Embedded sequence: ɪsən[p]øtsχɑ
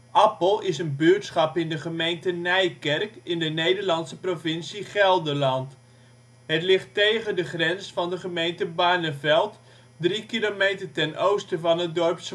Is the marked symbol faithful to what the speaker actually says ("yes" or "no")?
no